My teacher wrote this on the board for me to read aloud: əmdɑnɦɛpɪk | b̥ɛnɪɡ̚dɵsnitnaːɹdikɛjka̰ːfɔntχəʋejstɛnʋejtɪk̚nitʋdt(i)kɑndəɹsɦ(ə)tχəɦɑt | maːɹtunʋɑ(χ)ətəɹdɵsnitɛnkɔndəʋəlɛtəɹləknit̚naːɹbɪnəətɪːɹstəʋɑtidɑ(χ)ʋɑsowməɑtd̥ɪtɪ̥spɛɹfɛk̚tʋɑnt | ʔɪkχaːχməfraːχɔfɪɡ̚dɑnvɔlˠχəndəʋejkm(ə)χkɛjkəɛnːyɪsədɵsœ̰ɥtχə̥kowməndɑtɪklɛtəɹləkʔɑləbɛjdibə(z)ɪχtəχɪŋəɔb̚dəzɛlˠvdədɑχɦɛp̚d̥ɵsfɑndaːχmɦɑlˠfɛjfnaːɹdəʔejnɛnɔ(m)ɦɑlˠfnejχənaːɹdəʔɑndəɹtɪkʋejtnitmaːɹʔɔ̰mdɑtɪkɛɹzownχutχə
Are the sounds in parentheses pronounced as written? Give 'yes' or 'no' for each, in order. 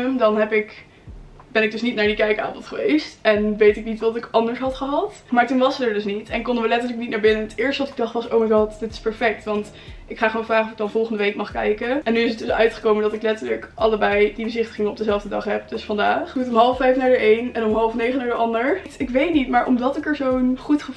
no, no, no, yes, no, yes, yes

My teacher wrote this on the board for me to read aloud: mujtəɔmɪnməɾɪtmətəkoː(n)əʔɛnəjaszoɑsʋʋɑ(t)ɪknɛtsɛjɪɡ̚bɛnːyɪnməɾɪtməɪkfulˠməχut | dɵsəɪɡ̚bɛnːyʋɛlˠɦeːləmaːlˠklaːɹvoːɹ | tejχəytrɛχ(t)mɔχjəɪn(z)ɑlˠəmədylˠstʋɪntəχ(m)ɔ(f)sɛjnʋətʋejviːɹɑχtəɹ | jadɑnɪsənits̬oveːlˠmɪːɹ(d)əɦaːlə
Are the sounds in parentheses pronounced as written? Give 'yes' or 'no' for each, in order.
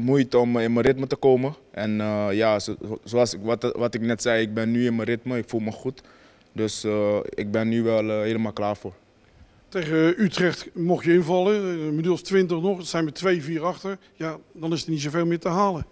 no, yes, yes, no, no, no, no

